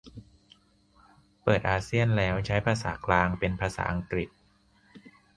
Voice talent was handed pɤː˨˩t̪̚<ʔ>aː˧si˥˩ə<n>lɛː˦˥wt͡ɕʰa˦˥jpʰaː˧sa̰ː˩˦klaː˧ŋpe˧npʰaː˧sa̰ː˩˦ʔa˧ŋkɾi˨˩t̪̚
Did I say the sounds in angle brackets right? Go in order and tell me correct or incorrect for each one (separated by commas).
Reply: correct, correct